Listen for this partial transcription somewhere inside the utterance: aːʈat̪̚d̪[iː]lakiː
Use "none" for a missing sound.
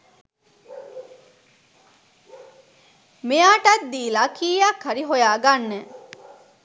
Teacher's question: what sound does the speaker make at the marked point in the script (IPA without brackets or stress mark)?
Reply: iː